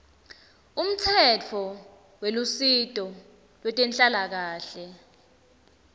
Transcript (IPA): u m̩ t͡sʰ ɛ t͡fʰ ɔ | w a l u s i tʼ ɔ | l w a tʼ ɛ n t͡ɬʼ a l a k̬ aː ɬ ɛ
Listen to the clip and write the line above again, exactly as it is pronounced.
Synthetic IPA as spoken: u m̩ t͡sʰ ɛ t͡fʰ ɔ | w e l u s i tʼ ɔ | l w ɛ tʼ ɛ n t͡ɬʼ a l a k̬ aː ɬ ɛ